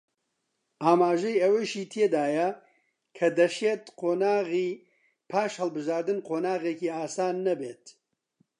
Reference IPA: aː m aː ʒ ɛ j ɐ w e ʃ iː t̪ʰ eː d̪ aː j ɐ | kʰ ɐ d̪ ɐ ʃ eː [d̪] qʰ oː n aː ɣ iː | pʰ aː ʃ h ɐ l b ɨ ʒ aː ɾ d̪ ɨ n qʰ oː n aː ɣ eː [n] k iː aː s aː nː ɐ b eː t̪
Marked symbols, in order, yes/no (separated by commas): no, no